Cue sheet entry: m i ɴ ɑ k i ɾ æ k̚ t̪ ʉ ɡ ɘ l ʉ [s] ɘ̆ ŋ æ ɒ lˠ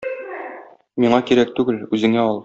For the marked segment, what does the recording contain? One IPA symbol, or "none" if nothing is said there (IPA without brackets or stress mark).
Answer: z